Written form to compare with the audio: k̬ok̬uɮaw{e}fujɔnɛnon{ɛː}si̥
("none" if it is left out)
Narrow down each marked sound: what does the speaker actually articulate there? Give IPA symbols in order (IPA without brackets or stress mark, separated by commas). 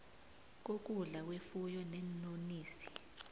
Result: e, iː